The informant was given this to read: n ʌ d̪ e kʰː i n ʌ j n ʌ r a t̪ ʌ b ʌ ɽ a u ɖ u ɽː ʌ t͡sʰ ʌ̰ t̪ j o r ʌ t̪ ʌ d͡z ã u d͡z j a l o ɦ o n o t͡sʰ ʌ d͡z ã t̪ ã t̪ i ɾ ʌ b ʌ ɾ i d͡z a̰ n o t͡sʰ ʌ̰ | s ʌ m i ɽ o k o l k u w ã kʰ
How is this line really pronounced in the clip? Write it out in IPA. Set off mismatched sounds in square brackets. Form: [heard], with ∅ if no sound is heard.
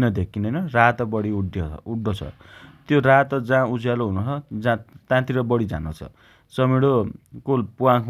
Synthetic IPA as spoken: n ʌ d̪ e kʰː i n ʌ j n ʌ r a t̪ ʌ b ʌ ɽ [i] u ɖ u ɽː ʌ t͡sʰ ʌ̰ t̪ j o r [a] t̪ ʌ d͡z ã u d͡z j a l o ɦ [u] n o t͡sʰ ʌ d͡z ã t̪ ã t̪ i ɾ ʌ b ʌ [ɽ] i d͡z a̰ n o t͡sʰ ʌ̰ | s ʌ m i ɽ o k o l [p] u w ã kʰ